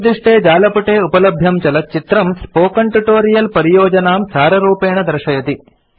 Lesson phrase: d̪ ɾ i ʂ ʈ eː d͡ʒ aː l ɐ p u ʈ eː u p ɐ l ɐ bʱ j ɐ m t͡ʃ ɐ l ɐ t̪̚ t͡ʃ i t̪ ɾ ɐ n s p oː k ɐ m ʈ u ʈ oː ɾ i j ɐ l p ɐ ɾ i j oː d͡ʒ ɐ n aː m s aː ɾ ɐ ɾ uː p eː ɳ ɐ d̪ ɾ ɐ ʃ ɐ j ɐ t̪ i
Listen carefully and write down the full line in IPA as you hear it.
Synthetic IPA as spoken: d̪ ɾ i ʂ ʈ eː d͡ʒ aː l ɐ p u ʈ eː u p ɐ l ɐ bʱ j ɐ m t͡ʃ ɐ l ɐ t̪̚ t͡ʃ i t̪ ɾ ɐ m s p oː k ɐ ɳ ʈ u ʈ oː ɾ i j ɐ l p ɐ ɾ i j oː d͡ʒ ɐ n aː m s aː ɾ ɐ ɾ uː p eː ɳ ɐ d̪ ɾ ɐ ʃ ɐ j ɐ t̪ i